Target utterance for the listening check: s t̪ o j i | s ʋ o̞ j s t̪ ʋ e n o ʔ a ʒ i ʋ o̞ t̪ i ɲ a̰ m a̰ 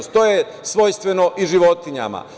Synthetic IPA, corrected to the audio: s t̪ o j e | s ʋ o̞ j s t̪ ʋ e n o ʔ i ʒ i ʋ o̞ t̪ i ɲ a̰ m a̰